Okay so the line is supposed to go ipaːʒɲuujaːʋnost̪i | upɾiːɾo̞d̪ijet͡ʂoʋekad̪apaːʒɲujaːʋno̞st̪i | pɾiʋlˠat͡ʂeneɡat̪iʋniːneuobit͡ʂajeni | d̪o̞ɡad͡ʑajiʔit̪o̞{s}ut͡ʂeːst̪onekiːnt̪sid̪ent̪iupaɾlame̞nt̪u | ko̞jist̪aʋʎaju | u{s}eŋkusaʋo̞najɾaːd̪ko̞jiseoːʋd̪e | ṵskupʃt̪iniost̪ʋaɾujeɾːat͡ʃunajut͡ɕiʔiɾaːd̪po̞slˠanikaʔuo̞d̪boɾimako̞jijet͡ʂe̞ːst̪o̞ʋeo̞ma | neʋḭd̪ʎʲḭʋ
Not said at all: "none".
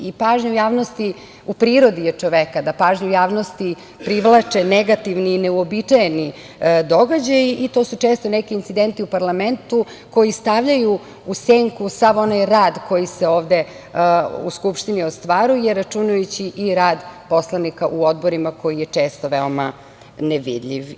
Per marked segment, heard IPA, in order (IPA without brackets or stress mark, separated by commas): s, s